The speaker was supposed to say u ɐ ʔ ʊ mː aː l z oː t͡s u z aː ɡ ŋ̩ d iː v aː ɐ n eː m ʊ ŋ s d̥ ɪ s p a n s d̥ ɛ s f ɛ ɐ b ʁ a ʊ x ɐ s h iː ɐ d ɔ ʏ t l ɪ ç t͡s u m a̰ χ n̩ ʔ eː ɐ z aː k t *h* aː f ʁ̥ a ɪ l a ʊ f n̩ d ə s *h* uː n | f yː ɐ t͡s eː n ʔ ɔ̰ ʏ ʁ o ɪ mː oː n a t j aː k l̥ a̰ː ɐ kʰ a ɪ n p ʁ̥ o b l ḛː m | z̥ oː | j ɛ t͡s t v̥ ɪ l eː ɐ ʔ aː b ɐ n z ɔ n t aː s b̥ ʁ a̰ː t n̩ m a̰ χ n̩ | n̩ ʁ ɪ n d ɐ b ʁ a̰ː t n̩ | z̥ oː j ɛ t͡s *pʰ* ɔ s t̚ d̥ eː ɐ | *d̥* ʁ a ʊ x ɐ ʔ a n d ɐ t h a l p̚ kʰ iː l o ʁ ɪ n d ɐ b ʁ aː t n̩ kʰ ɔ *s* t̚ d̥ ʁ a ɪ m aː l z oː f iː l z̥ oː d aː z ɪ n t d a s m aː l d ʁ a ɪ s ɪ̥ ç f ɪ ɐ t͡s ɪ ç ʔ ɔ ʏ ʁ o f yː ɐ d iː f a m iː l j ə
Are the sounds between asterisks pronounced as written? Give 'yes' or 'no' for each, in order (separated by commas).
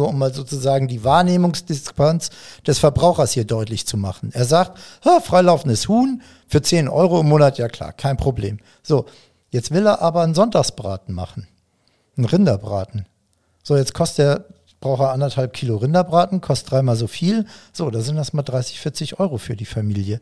yes, yes, no, no, yes